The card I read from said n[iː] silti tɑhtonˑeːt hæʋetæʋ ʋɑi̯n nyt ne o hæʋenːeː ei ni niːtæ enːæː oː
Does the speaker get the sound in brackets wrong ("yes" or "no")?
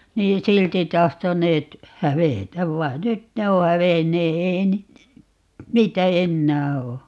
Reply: no